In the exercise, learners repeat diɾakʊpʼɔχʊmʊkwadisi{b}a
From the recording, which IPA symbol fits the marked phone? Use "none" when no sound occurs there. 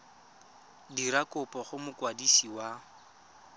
w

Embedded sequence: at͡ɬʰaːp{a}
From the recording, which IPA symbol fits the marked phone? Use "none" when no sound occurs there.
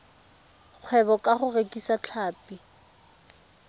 i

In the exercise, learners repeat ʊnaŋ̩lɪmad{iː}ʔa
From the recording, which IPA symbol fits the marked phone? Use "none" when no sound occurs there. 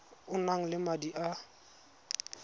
i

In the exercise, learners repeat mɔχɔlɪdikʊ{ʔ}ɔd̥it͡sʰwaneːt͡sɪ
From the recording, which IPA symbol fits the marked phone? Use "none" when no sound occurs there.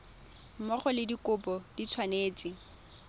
p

